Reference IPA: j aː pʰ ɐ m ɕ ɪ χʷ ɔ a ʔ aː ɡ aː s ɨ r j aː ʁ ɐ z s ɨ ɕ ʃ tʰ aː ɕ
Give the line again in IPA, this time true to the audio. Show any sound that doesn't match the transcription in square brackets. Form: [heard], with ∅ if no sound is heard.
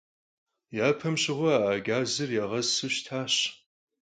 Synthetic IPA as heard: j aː pʰ ɐ m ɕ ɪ [ʁʷ] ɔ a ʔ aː ɡ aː [z] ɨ r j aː ʁ ɐ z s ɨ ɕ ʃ tʰ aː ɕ